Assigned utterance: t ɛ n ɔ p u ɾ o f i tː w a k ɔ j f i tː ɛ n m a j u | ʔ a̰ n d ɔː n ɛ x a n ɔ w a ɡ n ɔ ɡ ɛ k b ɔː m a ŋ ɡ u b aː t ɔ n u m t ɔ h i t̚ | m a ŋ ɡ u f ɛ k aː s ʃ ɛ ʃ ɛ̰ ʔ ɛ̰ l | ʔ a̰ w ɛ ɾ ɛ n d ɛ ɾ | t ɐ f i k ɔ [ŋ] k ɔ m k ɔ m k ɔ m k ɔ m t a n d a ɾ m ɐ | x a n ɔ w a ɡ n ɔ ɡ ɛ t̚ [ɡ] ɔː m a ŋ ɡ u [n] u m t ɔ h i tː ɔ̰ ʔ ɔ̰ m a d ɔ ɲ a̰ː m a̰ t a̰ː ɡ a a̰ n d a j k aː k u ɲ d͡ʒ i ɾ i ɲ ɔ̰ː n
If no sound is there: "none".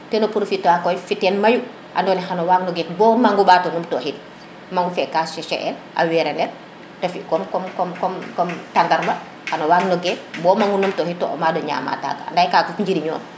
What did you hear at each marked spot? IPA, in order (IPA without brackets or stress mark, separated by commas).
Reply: m, b, n